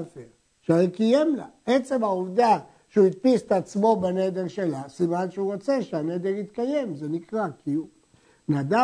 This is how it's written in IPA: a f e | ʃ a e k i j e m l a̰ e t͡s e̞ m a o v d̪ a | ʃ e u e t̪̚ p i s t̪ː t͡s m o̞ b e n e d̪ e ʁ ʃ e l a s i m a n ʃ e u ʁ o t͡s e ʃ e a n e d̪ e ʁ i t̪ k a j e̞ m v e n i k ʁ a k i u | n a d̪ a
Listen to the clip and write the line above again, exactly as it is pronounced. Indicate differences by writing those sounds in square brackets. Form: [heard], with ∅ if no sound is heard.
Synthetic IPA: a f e | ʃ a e k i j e m l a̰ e t͡s e̞ m a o v d̪ a | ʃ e u [i] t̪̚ p i s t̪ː t͡s m o̞ b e n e d̪ e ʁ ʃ e l a s i m a n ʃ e u ʁ o t͡s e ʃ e a n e d̪ e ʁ i t̪ k a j e̞ m [z] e n i k ʁ a k i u | n a d̪ a